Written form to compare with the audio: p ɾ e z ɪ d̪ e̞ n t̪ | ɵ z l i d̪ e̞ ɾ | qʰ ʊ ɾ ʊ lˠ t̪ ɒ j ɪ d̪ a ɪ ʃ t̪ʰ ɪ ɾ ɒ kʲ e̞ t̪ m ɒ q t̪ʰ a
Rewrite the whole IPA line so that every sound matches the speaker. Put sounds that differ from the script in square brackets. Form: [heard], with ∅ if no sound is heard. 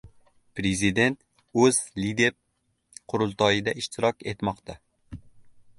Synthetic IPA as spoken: p ɾ e z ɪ d̪ e̞ n t̪ | ɵ z l i d̪ e̞ ɾ | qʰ ʊ ɾ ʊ lˠ t̪ ɒ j ɪ d̪ a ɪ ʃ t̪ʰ ɪ ɾ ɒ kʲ e̞ t̪ m ɒ q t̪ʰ a

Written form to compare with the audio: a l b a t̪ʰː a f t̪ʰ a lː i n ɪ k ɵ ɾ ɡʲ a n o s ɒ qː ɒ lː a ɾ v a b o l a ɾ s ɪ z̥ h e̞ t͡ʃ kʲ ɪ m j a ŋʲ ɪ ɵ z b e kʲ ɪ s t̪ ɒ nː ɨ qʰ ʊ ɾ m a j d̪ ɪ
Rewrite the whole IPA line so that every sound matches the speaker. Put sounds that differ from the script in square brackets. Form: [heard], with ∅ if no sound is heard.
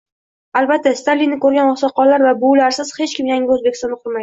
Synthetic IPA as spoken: a l b a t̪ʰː a [s] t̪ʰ a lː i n ɪ k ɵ ɾ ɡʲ a n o s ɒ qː ɒ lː a ɾ v a b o l a ɾ s ɪ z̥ h e̞ t͡ʃ kʲ ɪ m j a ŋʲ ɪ ɵ z b e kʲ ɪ s t̪ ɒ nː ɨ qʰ ʊ ɾ m a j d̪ ɪ

